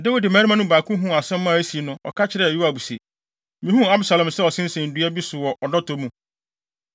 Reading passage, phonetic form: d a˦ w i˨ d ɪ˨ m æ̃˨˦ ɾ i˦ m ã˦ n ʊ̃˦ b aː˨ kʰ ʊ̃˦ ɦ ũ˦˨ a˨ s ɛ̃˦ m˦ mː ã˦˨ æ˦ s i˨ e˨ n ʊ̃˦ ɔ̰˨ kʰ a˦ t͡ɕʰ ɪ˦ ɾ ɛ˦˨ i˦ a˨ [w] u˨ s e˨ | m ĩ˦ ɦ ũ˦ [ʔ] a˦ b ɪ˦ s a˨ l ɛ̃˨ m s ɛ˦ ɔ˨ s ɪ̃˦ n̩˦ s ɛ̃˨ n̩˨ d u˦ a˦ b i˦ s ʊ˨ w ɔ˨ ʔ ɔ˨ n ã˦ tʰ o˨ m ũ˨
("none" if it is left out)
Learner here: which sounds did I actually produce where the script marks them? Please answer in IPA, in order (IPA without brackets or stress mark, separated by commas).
b, none